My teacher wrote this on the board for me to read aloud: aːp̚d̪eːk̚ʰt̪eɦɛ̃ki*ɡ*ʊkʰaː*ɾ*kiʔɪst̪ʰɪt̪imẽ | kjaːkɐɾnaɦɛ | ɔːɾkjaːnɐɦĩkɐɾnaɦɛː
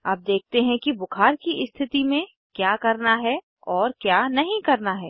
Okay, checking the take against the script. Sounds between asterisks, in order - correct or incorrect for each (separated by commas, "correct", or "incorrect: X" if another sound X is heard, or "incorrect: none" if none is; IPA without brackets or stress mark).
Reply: incorrect: b, correct